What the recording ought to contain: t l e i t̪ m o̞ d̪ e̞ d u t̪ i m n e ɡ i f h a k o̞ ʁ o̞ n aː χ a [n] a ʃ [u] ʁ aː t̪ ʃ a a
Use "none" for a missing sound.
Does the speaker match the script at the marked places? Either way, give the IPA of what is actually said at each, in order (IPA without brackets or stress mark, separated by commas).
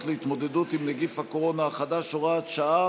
d, o